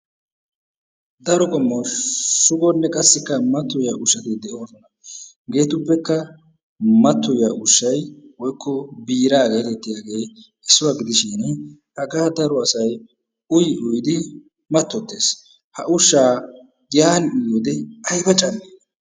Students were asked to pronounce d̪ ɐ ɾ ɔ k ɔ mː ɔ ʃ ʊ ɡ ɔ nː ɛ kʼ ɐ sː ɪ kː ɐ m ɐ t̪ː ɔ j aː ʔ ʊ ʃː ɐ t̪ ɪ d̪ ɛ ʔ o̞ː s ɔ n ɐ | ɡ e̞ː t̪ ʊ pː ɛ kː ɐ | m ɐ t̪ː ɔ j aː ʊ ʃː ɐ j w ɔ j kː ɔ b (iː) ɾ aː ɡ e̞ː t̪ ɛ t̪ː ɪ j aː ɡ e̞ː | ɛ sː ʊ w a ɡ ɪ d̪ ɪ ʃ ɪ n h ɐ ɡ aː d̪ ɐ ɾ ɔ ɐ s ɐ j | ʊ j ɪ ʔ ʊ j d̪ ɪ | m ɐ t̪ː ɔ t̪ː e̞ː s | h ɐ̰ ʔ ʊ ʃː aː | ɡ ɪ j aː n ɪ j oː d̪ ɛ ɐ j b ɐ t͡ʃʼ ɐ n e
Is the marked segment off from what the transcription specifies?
no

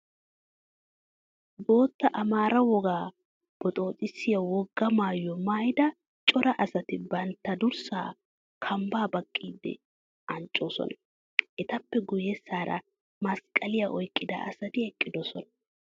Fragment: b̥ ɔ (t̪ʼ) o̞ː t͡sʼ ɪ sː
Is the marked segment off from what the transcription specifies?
no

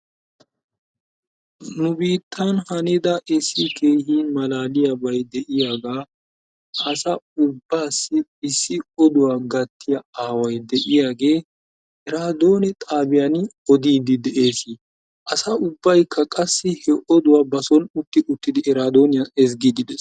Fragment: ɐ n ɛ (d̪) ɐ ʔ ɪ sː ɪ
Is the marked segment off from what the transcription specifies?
no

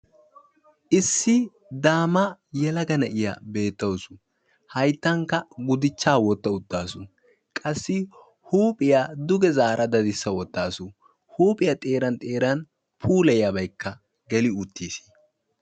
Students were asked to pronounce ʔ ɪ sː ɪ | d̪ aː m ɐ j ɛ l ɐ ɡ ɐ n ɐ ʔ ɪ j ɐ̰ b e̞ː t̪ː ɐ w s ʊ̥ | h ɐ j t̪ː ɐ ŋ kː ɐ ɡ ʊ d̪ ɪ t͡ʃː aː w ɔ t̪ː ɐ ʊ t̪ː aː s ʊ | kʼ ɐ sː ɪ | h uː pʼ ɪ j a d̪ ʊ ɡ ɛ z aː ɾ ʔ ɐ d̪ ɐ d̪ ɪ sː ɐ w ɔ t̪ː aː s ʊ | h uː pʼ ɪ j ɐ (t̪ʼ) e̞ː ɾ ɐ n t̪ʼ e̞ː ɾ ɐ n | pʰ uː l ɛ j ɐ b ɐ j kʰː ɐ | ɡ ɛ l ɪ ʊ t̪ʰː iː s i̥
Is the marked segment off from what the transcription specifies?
no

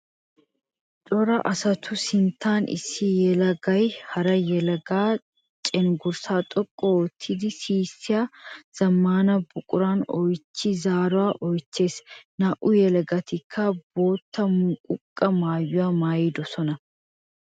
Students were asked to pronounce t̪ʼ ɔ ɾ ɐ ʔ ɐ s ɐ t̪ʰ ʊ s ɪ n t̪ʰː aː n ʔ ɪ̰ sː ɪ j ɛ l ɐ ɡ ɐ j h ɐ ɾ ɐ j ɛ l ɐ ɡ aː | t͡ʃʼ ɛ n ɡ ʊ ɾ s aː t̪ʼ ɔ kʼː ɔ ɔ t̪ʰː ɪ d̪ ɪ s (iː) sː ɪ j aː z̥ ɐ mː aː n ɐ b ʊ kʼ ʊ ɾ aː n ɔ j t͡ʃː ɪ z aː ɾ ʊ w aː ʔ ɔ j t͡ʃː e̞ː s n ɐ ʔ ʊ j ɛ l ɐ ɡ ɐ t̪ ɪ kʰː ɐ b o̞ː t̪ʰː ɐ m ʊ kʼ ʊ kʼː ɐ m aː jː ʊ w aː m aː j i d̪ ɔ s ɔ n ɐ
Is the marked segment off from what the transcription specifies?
no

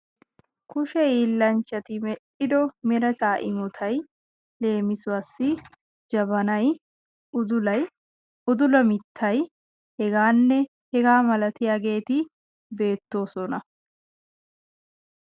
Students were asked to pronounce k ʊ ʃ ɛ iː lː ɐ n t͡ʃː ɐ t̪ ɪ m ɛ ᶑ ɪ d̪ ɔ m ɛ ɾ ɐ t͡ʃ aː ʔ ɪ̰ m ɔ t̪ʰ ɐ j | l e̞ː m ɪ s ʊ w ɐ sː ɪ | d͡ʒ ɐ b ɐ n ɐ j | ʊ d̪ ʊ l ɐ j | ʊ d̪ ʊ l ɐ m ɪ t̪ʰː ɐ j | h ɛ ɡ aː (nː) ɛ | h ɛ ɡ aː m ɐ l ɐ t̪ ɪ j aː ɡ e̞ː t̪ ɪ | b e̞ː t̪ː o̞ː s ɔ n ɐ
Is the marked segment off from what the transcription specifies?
no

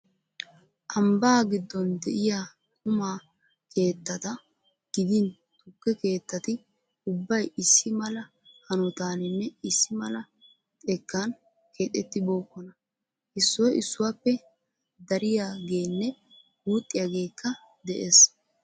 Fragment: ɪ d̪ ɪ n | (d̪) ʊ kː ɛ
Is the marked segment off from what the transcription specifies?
yes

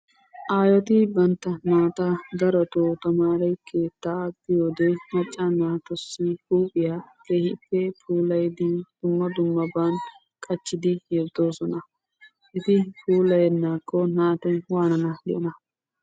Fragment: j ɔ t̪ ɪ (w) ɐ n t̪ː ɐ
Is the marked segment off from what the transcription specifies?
yes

